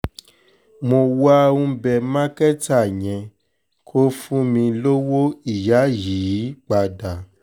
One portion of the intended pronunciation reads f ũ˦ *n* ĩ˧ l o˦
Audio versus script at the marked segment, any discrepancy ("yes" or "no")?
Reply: yes